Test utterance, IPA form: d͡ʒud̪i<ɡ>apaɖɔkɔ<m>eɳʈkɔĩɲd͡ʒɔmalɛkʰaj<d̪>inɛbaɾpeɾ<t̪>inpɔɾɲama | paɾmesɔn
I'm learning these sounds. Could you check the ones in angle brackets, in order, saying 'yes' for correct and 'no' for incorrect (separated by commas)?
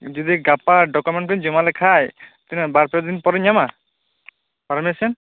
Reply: yes, yes, no, no